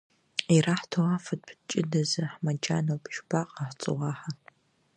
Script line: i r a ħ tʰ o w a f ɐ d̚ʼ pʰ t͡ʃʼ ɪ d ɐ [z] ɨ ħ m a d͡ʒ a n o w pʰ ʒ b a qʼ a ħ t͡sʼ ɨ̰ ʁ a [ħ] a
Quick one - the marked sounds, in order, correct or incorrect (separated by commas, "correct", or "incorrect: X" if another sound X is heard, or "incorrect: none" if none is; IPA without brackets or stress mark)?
correct, correct